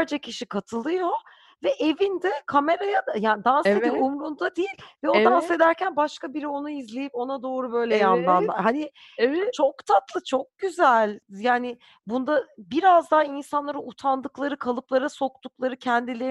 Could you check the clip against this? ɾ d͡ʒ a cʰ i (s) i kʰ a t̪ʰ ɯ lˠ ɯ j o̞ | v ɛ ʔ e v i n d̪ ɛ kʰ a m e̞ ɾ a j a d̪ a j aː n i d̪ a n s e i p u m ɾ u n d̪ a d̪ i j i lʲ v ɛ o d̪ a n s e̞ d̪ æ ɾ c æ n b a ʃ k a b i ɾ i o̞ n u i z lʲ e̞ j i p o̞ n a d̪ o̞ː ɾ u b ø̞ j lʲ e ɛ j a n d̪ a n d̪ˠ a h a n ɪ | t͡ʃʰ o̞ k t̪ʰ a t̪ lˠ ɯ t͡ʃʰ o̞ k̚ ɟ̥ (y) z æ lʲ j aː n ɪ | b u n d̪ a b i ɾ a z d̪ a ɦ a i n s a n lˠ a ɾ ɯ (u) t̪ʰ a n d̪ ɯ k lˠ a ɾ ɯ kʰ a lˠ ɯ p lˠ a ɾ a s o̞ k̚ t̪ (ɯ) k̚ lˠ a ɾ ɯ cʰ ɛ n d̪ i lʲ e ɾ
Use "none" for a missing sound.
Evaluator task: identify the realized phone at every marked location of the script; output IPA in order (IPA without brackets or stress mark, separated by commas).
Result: ʃ, y, u, u